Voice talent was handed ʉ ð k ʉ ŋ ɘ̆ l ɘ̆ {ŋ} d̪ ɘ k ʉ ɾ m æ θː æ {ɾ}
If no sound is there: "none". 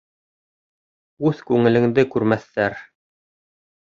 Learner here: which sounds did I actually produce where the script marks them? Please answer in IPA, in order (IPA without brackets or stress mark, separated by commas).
ŋ, ɾ